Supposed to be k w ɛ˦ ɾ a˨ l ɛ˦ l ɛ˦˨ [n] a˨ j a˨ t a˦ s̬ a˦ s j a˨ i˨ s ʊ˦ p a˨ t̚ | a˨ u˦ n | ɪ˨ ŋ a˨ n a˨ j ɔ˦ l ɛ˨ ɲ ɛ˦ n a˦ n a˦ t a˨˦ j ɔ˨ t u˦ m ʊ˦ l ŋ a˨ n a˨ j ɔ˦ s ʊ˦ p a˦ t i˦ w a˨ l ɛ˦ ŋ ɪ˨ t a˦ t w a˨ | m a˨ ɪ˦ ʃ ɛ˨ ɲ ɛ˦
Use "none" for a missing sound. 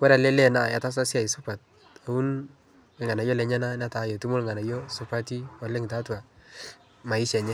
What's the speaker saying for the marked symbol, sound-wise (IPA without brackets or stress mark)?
n